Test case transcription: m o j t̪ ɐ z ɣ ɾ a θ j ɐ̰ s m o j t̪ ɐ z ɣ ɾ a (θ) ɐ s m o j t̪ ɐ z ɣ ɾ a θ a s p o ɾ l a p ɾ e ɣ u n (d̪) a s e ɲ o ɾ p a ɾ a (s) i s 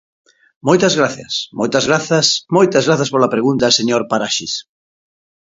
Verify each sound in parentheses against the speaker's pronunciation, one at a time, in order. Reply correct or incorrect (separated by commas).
correct, incorrect, incorrect